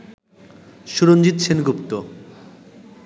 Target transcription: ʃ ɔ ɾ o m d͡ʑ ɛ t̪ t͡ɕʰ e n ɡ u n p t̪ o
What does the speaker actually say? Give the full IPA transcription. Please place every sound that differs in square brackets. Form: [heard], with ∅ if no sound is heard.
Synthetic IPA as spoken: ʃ [u] ɾ o [n] d͡ʑ [i] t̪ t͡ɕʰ e n ɡ u [∅] p t̪ o